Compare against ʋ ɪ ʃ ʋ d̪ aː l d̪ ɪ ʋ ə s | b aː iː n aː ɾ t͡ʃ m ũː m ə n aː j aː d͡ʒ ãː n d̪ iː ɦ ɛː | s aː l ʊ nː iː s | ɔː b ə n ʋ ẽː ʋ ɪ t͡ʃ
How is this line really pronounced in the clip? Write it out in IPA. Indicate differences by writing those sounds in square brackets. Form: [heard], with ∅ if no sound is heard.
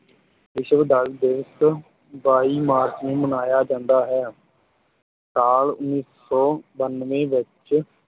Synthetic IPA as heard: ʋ ɪ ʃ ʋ d̪ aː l d̪ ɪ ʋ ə s | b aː iː [m] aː ɾ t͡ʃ [n] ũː m ə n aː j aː d͡ʒ ãː n d̪ [aː] ɦ ɛː | s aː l ʊ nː iː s | ɔː b ə n ʋ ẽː ʋ ɪ t͡ʃ